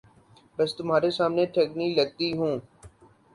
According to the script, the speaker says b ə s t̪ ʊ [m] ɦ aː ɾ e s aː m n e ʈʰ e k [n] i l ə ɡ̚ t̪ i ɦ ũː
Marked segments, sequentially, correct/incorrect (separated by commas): correct, correct